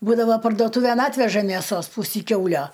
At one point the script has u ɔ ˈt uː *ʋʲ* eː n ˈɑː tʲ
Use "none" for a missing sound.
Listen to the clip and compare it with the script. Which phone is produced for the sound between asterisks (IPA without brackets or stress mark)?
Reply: ʋʲ